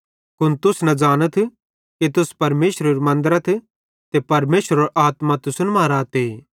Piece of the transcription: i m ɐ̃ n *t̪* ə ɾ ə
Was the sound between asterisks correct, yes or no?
no